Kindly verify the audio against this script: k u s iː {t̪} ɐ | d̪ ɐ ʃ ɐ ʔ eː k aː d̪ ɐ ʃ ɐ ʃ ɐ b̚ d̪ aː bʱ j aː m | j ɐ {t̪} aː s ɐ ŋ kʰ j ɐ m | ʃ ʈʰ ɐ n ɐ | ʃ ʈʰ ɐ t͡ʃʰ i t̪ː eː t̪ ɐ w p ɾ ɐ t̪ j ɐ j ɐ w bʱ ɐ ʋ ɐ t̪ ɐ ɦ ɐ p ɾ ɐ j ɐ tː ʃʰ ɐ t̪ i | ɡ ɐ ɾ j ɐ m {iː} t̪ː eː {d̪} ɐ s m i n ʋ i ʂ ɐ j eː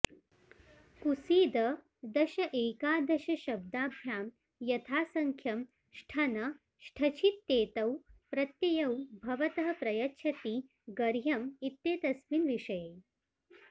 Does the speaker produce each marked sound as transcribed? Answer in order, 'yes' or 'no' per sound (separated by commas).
no, no, no, no